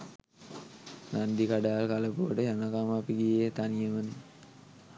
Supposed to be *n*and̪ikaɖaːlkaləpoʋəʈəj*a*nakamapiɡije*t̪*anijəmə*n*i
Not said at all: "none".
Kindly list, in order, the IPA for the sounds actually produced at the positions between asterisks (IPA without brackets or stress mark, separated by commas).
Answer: n, a, t̪, n